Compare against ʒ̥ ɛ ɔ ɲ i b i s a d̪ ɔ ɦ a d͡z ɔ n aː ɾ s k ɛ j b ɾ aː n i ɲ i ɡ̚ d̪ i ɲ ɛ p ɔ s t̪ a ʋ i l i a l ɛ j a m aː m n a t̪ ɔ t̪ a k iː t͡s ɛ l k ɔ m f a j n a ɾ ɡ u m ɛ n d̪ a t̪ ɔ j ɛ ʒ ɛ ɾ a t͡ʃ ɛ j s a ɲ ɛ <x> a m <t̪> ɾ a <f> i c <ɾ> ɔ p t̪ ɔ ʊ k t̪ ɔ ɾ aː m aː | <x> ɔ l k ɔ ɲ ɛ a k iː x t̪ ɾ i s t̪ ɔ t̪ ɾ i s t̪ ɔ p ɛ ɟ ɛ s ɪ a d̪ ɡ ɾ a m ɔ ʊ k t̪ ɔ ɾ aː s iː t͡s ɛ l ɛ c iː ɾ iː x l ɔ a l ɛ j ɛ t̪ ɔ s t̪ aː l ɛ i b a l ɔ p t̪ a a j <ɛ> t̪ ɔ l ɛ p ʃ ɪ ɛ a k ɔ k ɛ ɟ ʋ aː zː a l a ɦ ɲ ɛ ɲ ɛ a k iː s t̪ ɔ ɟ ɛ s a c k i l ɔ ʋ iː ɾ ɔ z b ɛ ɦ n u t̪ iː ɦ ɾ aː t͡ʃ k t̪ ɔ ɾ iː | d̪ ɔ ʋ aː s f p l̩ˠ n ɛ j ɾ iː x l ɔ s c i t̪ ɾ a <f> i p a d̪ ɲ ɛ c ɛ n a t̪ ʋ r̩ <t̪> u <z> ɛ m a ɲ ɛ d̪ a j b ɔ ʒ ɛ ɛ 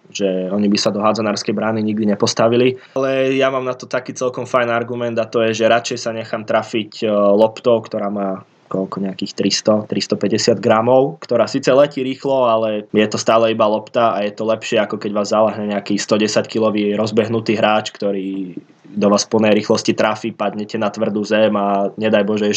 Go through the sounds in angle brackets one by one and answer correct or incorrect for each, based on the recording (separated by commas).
correct, correct, correct, incorrect, incorrect, correct, correct, incorrect, correct